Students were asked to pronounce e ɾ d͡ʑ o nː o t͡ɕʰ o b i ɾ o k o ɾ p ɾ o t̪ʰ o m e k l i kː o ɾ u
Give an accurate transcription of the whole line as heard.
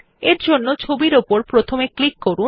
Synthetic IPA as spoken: e ɾ d͡ʑ o nː o t͡ɕʰ o b i ɾ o p o ɾ p ɾ o t̪ʰ o m e k l i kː o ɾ u